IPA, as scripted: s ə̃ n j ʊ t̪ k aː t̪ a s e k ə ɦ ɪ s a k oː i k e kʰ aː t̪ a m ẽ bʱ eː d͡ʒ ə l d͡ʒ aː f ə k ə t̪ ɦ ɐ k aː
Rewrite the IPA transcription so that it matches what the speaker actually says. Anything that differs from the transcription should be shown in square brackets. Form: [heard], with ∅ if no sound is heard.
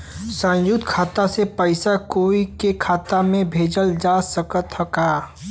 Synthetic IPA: s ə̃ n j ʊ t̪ [kʰ] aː t̪ a s e [p] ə [∅] ɪ s a k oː i k e kʰ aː t̪ a m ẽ bʱ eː d͡ʒ ə l d͡ʒ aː [s] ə k ə t̪ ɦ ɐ k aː